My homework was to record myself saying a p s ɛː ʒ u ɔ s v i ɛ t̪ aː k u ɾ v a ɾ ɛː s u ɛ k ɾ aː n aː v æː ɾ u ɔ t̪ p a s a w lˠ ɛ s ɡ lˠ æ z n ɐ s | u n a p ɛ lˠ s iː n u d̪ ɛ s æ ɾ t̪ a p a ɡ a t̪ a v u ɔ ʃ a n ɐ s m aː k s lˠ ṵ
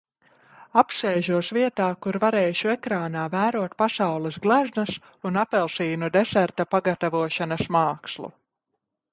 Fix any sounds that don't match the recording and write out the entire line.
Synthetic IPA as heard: a p s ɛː ʒ u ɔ s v i ɛ t̪ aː k u ɾ v a ɾ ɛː ʃ u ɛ k ɾ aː n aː v æː ɾ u ɔ t̪ p a s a w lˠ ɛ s ɡ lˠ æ z n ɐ s | u n a p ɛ lˠ s iː n u d̪ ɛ s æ ɾ t̪ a p a ɡ a t̪ a v u ɔ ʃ a n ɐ s m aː k s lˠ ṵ